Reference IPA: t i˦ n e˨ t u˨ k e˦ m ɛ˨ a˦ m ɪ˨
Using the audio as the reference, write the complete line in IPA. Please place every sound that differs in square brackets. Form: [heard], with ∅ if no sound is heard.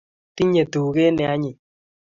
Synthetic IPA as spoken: t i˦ [ɲ] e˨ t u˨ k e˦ [n] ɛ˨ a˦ [ɲ] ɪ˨